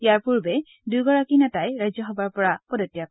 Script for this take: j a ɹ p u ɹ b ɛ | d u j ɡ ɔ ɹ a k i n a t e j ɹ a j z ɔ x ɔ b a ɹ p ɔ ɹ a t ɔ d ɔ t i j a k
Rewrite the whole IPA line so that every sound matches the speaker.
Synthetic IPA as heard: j a ɹ p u ɹ b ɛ | d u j ɡ ɔ ɹ a k i n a t a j ɹ a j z ɔ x ɔ b a ɹ p ɔ ɹ a p ɔ d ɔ t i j a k